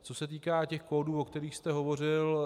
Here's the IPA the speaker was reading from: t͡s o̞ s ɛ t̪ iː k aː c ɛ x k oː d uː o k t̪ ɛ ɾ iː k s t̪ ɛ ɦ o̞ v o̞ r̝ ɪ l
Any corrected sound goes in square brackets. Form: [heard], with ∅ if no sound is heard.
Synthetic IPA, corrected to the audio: t͡s o̞ s ɛ t̪ iː k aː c ɛ x k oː d uː o k t̪ ɛ ɾ iː [x] s t̪ ɛ ɦ o̞ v o̞ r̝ ɪ l